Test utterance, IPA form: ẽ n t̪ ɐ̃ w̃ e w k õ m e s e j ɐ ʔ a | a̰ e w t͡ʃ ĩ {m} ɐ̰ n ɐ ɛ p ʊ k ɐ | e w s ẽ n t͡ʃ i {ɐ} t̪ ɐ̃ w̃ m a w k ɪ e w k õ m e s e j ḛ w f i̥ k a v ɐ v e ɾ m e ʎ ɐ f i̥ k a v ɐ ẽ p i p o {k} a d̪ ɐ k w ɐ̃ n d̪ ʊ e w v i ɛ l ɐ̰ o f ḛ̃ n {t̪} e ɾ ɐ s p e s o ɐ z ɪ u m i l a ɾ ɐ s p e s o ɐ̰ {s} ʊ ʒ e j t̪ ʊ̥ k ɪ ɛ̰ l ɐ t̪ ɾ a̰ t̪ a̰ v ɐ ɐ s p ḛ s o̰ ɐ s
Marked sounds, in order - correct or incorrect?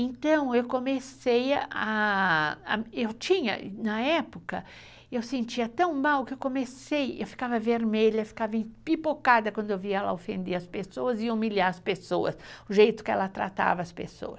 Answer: incorrect: ɲ, correct, correct, incorrect: d̪, correct

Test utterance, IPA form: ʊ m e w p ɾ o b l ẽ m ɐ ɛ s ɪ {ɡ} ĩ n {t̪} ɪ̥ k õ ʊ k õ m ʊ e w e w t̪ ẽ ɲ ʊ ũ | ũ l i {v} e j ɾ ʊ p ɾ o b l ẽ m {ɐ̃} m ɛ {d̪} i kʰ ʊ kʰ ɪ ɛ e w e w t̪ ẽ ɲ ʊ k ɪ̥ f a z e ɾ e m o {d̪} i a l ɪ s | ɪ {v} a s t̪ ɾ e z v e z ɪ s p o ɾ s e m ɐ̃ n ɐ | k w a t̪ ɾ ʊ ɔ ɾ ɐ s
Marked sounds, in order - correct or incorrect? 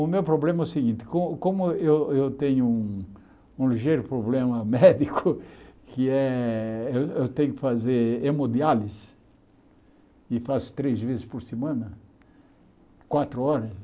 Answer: correct, correct, incorrect: ʒ, incorrect: ɐ, correct, correct, incorrect: f

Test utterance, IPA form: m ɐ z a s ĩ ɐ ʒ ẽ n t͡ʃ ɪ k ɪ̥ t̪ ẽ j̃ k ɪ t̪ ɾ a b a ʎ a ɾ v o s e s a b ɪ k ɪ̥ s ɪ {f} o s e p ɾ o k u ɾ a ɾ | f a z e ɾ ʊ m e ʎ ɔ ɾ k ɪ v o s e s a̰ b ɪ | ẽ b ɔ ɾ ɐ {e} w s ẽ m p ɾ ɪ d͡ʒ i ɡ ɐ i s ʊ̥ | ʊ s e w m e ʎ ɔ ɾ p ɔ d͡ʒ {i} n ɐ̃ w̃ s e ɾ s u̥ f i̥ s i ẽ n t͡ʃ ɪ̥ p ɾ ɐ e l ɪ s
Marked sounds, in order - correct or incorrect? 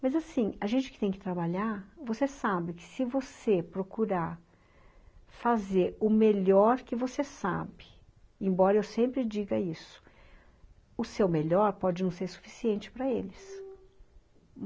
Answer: incorrect: v, correct, incorrect: ɪ

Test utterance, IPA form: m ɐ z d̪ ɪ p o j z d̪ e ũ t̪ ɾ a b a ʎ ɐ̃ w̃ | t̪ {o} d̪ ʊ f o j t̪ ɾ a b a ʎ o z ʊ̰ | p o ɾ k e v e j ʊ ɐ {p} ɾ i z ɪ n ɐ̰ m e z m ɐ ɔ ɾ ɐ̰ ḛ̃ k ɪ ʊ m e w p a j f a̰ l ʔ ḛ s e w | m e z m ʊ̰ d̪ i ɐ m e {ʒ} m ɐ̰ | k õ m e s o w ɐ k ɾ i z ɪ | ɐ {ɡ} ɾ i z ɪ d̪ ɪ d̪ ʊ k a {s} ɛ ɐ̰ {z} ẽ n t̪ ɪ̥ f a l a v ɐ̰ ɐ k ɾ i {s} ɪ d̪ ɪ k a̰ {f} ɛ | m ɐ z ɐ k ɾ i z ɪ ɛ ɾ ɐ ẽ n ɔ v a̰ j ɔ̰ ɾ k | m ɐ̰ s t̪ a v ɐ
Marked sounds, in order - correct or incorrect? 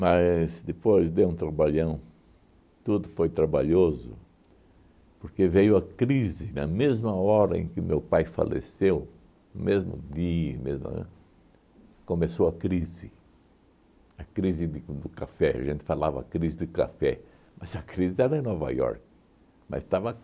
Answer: incorrect: u, incorrect: k, incorrect: z, incorrect: k, incorrect: f, incorrect: ʒ, incorrect: z, correct

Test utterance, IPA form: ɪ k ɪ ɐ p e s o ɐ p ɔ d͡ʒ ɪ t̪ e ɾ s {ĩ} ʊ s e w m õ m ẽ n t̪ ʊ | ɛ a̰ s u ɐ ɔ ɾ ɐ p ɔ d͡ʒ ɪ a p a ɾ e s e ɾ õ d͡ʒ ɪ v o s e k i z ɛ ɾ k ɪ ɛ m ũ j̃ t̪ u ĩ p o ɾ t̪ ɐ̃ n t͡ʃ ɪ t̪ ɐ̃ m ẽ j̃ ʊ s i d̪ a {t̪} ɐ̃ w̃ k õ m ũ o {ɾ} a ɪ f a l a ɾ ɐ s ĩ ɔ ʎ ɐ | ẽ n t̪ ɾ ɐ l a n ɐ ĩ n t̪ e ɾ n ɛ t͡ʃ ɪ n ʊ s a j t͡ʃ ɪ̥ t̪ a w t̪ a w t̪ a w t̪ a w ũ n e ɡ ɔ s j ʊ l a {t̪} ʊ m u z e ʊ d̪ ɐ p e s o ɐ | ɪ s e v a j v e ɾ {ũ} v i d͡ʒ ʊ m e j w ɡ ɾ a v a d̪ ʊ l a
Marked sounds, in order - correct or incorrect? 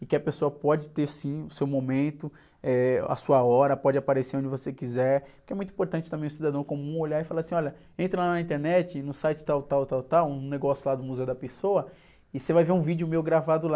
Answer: correct, incorrect: d̪, incorrect: ʎ, incorrect: d̪, correct

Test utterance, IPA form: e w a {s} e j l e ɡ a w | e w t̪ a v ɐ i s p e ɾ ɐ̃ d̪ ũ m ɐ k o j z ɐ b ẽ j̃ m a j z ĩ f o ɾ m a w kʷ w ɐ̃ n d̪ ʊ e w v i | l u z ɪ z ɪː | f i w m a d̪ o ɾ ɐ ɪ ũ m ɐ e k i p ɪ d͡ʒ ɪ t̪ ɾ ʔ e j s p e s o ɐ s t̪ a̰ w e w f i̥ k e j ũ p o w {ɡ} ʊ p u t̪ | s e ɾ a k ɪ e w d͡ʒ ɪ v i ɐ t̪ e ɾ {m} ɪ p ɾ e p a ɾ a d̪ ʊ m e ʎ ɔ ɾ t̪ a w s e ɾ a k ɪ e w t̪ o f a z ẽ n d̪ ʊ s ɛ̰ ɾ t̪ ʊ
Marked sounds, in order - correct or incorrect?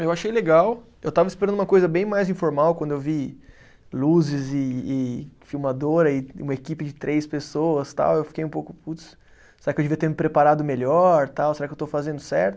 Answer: incorrect: ʃ, incorrect: k, correct

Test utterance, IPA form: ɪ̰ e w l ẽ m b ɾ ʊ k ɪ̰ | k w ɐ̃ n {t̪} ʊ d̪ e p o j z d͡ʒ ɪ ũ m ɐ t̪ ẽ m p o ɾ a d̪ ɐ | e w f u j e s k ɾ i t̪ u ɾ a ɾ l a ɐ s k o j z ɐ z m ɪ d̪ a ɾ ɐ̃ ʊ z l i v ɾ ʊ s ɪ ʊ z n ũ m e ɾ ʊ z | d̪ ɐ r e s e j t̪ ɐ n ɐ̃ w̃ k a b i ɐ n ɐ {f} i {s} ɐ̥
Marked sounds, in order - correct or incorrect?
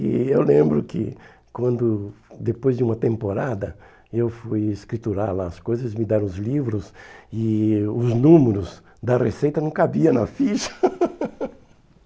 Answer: incorrect: d̪, correct, incorrect: ʃ

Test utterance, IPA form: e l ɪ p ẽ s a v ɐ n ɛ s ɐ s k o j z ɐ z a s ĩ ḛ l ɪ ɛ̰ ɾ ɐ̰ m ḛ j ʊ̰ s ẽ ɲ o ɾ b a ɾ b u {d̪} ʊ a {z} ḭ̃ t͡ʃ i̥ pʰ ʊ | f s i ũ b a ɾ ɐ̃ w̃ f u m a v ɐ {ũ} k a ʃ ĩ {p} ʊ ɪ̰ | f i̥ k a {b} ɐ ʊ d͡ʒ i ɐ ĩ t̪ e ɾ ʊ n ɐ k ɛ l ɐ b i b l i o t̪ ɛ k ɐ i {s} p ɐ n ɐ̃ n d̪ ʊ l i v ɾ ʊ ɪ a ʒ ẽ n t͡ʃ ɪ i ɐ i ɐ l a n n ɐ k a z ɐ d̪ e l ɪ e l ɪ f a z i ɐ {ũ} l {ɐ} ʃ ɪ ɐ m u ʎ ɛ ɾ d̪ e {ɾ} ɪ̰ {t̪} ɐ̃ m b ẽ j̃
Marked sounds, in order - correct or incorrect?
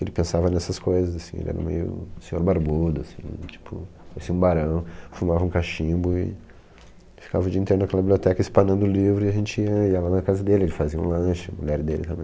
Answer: correct, incorrect: s, correct, incorrect: b, incorrect: v, correct, correct, incorrect: ɐ̃, incorrect: l, correct

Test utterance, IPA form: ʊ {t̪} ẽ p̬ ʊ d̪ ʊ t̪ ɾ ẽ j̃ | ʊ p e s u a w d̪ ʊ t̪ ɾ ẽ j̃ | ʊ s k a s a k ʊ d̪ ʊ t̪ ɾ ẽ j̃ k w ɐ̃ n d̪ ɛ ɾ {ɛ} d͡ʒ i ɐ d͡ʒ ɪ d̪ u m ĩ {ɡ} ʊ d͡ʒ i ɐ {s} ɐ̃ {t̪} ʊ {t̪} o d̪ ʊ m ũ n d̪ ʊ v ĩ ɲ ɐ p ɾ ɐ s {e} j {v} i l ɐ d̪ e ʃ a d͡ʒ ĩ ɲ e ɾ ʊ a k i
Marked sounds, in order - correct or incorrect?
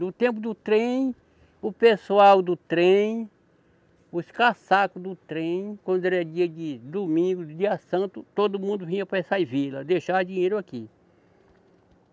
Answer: correct, correct, correct, correct, correct, correct, incorrect: a, correct

